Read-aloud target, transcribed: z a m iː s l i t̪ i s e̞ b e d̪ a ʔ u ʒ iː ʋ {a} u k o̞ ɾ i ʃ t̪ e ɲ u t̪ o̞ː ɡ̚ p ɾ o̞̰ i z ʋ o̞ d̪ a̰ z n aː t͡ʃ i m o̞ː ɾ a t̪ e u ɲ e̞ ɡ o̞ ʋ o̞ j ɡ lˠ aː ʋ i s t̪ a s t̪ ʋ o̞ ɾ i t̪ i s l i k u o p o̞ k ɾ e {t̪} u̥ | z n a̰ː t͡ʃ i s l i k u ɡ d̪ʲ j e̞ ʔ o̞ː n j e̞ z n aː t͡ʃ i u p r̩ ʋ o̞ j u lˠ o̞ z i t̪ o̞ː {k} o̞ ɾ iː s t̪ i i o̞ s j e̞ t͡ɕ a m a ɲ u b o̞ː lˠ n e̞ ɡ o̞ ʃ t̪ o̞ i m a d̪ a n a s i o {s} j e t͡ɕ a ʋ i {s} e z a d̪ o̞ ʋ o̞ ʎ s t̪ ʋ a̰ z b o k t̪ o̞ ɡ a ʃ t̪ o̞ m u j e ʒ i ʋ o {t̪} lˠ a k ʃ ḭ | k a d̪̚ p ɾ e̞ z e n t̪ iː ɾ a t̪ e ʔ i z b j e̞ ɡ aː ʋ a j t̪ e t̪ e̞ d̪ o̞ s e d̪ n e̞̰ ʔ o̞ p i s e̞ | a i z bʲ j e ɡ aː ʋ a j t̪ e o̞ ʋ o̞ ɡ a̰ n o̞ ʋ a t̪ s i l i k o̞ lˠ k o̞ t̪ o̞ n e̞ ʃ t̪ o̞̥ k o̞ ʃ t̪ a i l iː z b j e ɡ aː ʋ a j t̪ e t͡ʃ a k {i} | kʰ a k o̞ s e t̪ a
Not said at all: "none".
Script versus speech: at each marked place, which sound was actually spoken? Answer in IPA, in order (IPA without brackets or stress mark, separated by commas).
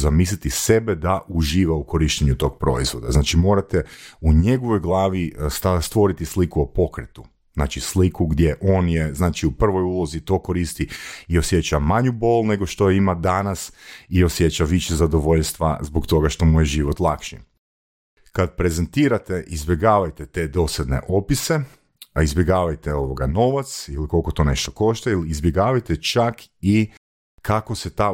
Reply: a, t̪, k, s, ʃ, t̪, i